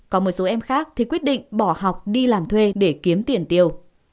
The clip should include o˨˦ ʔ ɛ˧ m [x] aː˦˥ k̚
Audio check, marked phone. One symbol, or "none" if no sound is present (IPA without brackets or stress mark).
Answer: x